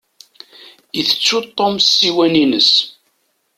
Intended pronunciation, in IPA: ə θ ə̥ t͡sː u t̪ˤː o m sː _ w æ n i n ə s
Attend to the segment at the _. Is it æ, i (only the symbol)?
i